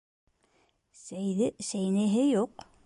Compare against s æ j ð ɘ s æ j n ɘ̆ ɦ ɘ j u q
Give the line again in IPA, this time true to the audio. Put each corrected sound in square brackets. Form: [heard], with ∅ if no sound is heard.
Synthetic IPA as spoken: s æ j ð ɘ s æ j n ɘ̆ ɦ ɘ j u q